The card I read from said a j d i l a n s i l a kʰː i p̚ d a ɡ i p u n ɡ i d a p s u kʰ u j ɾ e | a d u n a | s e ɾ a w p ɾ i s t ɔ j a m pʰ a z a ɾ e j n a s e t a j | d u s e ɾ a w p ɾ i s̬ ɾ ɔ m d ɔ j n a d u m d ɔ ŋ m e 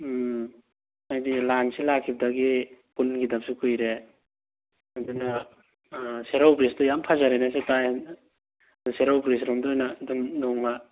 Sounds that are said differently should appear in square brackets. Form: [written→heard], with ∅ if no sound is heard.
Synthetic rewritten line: a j d i l a n s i l a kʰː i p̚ d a ɡ i p u n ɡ i d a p s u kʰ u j ɾ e | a d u n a | s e ɾ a w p ɾ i s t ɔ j a m pʰ a z a ɾ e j n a s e t a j | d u s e ɾ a w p ɾ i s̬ ɾ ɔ m d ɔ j n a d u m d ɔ ŋ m [e→a]